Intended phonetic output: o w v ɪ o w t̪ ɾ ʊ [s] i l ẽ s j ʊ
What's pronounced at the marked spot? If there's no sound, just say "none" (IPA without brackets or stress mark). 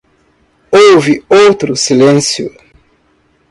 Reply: s